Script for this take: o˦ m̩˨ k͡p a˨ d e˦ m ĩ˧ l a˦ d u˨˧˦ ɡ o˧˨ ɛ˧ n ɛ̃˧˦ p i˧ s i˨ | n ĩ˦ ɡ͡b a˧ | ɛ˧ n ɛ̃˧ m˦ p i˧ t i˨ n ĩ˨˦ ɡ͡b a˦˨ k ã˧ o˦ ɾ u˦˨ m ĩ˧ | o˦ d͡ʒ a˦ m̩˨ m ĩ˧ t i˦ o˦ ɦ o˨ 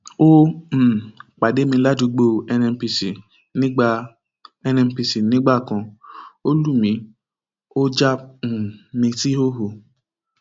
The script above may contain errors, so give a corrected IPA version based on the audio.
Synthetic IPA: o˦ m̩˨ k͡p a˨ d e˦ m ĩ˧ l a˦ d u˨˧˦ ɡ͡b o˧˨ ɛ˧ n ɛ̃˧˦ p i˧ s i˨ | n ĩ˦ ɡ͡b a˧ | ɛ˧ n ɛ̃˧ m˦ p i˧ s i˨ n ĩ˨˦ ɡ͡b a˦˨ k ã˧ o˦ l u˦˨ m ĩ˧ | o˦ d͡ʒ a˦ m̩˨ m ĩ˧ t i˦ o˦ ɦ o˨